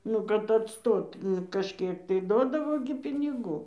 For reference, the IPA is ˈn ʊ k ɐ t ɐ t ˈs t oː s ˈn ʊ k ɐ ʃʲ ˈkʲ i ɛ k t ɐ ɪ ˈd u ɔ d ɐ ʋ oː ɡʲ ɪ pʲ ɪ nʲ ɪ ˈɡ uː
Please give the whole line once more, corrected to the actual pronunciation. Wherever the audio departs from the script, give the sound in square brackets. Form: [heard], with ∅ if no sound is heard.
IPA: ˈn ʊ k ɐ t ɐ t ˈs t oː [t] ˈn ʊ k ɐ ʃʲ ˈkʲ i ɛ k t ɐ ɪ ˈd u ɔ d ɐ ʋ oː ɡʲ ɪ pʲ ɪ nʲ ɪ ˈɡ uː